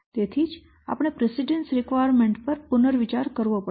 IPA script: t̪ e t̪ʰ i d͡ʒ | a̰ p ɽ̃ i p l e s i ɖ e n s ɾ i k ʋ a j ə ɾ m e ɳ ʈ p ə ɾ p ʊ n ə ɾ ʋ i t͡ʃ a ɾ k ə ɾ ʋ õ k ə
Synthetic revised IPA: t̪ e t̪ʰ i d͡ʒ | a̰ p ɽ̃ e p ɾ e s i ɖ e n s ɾ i k ʋ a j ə ɾ m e ɳ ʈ p ə ɾ p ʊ n ə ɾ ʋ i t͡ʃ a ɾ k ə ɾ ʋ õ p ə